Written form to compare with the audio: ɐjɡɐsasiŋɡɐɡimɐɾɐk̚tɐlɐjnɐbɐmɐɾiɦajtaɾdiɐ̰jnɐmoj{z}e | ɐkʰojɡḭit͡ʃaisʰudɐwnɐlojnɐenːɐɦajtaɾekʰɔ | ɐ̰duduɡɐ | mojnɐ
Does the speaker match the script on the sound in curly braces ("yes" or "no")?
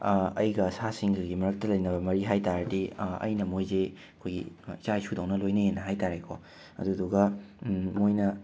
yes